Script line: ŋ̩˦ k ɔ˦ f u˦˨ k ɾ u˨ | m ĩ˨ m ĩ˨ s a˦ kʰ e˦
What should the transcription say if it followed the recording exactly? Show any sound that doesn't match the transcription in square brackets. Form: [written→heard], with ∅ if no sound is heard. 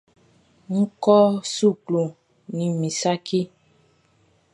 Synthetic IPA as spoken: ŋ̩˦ k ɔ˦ [f→s] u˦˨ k [ɾ→l] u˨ | [m→n] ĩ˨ m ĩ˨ s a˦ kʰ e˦